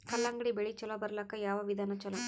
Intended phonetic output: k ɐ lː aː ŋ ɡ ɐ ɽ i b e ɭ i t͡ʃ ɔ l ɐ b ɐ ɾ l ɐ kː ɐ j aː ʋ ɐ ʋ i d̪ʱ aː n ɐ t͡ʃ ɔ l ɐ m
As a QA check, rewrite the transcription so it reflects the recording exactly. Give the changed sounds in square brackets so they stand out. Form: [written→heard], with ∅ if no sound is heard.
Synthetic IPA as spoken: k ɐ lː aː ŋ ɡ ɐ ɽ i b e ɭ i t͡ʃ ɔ l ɐ b ɐ ɾ l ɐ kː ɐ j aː ʋ ɐ ʋ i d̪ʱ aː n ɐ t͡ʃ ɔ l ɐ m